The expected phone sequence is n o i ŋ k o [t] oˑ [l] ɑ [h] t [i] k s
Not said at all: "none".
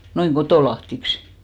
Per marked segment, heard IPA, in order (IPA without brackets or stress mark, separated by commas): t, l, h, i